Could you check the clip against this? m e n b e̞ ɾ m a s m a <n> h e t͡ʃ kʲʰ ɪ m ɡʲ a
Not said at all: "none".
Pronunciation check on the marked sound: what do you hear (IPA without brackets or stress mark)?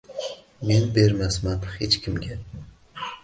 n